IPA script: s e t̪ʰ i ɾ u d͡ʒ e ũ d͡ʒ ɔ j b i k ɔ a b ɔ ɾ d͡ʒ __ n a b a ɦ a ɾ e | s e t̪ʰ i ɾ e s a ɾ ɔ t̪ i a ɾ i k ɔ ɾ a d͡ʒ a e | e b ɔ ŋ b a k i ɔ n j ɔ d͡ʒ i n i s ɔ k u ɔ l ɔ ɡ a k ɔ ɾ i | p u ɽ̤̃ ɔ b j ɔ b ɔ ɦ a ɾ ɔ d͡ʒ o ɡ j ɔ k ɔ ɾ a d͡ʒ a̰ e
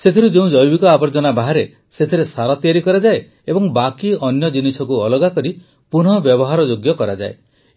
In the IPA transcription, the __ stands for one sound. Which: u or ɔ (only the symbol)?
ɔ